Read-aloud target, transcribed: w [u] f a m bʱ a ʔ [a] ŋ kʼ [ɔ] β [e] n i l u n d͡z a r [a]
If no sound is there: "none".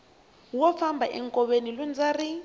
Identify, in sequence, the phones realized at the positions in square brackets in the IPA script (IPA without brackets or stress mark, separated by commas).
ɔ, ɛ, ɔ, e, i